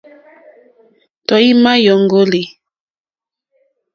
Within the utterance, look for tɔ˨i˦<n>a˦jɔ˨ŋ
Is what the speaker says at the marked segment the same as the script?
no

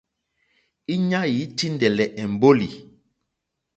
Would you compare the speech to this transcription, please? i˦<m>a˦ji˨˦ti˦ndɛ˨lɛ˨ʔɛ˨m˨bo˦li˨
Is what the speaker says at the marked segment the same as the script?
no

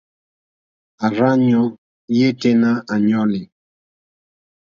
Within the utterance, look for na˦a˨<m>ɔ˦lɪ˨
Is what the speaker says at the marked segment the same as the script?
no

